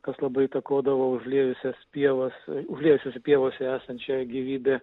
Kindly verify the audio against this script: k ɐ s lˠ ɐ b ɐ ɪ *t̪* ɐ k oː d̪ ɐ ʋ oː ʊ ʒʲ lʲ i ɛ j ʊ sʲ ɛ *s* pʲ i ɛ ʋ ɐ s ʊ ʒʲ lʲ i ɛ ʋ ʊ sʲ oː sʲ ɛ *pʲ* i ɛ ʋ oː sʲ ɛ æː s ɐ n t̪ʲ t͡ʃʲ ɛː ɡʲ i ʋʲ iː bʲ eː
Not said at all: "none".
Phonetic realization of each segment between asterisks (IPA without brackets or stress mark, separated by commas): t̪, s, pʲ